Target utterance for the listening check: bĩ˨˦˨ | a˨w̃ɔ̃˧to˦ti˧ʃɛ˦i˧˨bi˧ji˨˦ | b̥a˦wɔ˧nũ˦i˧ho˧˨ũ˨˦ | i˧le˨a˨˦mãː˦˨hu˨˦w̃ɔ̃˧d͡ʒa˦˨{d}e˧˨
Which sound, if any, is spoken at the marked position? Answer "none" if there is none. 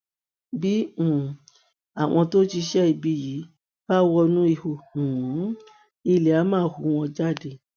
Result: d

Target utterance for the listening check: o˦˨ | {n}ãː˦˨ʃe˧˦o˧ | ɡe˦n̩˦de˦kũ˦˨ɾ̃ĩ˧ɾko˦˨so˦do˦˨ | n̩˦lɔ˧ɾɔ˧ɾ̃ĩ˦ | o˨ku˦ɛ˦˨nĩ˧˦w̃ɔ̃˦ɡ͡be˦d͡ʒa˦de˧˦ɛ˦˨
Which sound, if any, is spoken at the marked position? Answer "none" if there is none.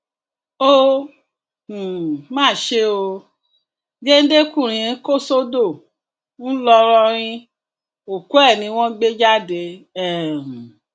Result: m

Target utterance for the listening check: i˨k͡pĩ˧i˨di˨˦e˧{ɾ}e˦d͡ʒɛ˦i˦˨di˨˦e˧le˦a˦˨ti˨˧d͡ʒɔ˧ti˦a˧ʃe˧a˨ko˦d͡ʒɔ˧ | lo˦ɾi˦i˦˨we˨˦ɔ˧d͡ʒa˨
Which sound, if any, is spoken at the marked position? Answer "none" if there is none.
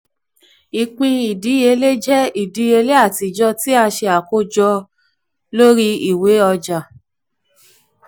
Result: l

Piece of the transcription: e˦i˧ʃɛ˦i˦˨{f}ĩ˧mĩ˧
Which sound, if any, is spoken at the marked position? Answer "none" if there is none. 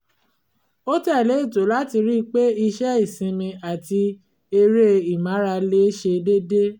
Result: s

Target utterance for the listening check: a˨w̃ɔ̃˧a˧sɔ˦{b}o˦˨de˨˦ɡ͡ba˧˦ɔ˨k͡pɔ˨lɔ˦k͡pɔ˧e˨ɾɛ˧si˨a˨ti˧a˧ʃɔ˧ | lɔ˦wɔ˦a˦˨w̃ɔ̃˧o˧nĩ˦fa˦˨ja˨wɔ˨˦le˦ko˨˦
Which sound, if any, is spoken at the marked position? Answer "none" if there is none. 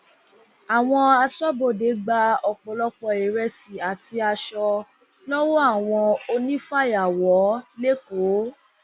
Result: b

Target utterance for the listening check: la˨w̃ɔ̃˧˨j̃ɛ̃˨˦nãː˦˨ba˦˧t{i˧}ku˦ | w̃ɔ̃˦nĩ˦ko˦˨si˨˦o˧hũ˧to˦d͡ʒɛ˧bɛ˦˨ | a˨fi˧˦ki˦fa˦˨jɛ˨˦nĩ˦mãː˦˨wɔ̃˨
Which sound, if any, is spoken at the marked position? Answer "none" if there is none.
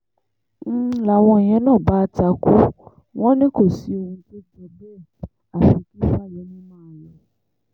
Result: a˧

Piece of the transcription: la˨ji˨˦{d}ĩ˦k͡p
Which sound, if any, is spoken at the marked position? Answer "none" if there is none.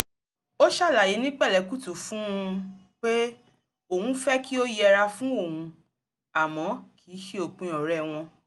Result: n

